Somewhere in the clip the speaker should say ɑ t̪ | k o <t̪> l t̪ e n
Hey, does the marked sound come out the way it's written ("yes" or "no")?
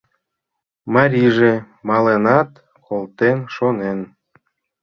no